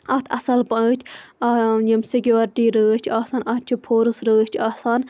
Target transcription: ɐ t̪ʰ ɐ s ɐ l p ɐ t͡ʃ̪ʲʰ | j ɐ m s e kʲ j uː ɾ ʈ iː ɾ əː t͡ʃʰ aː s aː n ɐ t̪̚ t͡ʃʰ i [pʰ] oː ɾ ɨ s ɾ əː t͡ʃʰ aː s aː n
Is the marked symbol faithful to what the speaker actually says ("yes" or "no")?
yes